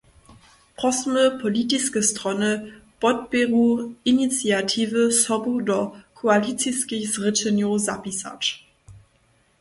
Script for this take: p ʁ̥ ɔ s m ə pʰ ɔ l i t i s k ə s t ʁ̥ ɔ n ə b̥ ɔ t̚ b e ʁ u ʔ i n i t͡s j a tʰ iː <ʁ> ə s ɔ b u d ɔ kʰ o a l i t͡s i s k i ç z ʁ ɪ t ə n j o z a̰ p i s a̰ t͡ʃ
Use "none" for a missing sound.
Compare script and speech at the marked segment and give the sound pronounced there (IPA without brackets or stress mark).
v